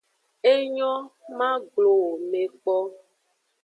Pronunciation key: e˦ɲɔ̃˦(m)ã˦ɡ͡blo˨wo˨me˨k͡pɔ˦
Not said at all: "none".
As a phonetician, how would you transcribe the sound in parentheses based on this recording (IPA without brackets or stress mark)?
m